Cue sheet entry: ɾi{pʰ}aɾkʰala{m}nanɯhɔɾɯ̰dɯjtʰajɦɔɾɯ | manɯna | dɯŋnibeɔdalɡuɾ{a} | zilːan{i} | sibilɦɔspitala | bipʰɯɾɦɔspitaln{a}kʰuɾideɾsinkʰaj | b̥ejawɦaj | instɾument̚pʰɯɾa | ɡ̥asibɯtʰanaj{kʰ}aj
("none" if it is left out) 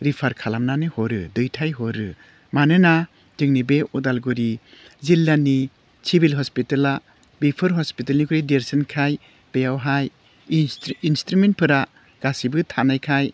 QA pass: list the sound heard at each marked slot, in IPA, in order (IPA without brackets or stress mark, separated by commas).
pʰ, m, i, i, i, kʰ